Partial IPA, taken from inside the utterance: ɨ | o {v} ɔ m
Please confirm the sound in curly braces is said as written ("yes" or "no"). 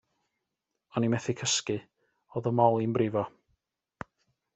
no